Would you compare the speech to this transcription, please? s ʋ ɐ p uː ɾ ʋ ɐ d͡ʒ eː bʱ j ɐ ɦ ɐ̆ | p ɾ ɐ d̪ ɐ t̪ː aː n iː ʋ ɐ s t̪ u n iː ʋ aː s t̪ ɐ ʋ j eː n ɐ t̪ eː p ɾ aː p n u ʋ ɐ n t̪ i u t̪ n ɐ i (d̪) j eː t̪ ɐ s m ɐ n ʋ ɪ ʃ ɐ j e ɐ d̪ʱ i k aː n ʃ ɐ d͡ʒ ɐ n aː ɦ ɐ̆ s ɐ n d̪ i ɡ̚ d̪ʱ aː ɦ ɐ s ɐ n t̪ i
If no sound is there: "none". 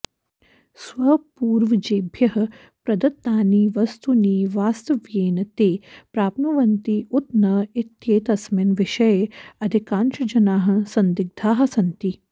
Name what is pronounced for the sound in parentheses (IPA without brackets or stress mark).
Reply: t̪